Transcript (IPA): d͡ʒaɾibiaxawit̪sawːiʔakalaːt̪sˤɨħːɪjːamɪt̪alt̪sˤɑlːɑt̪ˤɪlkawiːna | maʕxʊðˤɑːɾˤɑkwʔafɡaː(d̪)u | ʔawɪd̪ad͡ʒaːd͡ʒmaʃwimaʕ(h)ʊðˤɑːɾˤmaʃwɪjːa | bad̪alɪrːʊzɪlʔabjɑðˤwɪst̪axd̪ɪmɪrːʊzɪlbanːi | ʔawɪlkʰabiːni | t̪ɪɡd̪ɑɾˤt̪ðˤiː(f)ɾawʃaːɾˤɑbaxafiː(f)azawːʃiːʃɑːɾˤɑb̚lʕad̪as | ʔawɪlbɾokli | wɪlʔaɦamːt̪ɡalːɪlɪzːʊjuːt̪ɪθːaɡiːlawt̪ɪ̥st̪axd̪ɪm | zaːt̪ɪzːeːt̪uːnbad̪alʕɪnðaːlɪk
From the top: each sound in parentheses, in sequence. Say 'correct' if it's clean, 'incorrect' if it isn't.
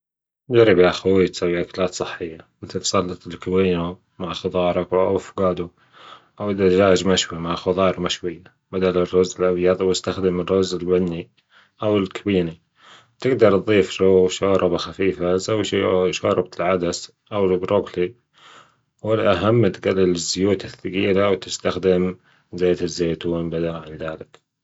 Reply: correct, incorrect, correct, correct

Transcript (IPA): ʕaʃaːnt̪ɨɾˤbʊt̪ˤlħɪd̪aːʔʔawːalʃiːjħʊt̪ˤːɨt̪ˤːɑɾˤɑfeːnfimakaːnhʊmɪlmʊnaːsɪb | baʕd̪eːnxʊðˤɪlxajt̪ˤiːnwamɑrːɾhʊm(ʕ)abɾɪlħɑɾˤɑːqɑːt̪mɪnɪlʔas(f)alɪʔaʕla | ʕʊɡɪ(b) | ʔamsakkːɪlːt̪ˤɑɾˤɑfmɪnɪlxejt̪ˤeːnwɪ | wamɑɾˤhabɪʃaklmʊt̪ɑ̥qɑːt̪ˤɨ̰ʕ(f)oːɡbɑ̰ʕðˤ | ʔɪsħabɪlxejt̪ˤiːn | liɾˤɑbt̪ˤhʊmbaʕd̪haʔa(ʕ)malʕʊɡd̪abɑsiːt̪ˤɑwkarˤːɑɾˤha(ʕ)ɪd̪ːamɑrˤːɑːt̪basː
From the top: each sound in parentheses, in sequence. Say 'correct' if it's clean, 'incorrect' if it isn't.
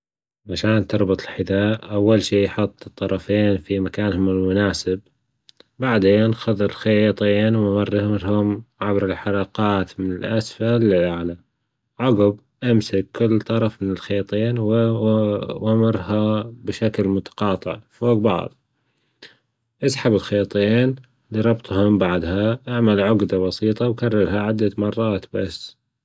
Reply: correct, correct, correct, correct, correct, correct

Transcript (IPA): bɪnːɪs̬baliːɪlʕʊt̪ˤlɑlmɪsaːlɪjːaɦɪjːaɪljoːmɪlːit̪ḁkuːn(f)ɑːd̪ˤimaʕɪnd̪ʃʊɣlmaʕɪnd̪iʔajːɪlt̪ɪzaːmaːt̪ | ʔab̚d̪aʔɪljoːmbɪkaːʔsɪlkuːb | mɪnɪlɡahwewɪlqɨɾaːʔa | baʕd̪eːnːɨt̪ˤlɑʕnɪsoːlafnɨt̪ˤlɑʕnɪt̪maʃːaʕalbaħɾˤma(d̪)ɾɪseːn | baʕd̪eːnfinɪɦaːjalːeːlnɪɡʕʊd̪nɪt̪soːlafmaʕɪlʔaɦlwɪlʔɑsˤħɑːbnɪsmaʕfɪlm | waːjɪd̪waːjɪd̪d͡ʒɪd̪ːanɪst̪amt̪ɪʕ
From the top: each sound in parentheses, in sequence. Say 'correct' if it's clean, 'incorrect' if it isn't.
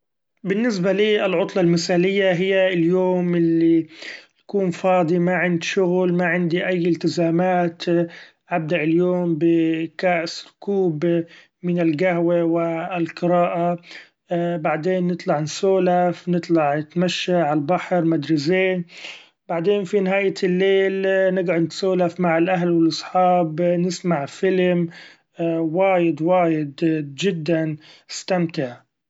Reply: correct, correct

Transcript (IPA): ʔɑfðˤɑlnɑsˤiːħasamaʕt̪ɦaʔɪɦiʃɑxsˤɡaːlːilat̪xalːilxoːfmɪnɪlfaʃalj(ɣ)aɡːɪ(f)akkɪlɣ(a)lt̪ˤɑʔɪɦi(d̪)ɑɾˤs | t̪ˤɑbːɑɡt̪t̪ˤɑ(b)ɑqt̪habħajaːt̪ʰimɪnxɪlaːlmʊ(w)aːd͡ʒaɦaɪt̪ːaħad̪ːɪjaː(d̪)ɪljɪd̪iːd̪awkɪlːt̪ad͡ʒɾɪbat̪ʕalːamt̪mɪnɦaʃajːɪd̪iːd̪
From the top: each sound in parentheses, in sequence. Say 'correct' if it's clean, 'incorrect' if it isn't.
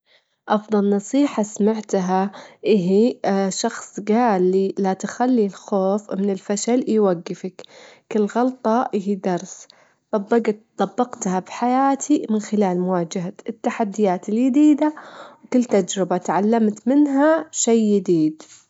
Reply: incorrect, correct, incorrect, correct, incorrect, correct, incorrect

